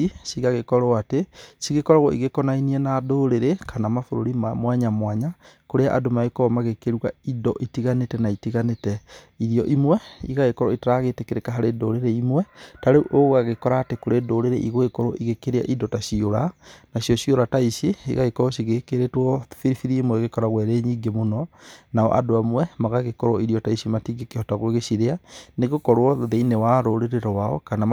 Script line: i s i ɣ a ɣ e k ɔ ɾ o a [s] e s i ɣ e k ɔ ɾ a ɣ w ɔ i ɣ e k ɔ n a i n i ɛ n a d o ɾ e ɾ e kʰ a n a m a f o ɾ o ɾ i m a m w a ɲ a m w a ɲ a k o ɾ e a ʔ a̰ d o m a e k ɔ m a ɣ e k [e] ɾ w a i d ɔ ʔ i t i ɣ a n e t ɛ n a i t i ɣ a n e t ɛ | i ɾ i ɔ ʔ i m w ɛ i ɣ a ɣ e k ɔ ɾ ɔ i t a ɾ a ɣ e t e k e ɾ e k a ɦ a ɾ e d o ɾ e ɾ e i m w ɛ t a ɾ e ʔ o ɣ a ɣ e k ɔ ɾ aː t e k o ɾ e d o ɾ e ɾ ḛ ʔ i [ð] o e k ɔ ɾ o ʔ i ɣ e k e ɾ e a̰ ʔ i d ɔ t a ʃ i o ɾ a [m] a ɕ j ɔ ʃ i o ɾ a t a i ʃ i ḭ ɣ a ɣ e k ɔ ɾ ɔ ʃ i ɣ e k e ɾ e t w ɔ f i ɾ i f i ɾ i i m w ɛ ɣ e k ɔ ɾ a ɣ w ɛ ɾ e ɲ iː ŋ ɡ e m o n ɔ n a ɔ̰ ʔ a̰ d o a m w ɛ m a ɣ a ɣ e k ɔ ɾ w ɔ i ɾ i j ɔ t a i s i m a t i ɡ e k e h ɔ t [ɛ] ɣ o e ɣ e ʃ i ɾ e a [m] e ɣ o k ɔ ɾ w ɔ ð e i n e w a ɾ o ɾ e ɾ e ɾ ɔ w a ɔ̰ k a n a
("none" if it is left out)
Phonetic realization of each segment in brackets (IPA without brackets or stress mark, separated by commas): t, e, ɣ, n, a, n